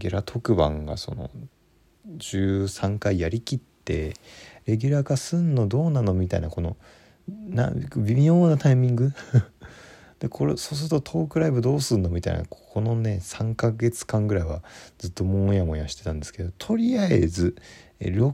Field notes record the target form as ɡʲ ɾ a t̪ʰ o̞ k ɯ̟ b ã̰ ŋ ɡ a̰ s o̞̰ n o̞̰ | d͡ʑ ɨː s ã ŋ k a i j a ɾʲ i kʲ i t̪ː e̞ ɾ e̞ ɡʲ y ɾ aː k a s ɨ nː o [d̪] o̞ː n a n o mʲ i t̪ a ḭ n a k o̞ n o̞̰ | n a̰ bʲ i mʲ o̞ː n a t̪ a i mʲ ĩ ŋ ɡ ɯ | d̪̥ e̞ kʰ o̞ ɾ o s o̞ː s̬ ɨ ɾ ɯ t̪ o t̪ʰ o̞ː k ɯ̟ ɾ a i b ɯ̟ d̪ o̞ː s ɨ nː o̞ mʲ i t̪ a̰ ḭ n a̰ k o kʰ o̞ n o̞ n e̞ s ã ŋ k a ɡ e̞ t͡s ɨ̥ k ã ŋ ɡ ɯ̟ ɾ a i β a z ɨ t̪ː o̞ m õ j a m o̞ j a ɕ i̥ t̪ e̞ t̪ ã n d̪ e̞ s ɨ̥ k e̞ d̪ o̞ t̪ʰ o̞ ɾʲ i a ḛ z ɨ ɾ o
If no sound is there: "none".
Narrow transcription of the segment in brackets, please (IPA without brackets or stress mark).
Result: d̪